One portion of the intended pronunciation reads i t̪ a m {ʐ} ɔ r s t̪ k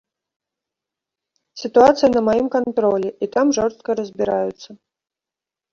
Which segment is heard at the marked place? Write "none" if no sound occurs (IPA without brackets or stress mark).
ʐ